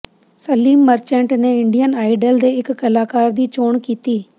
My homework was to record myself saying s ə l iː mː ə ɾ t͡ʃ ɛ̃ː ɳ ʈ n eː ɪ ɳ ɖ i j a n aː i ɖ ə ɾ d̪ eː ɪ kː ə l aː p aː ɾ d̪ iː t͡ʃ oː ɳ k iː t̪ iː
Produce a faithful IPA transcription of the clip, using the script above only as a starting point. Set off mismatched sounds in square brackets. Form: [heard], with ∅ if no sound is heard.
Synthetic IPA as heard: s ə l iː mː ə ɾ t͡ʃ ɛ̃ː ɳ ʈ n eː ɪ ɳ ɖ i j [ə] n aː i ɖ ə [l] d̪ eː ɪ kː ə l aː [k] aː ɾ d̪ iː t͡ʃ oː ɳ k iː t̪ iː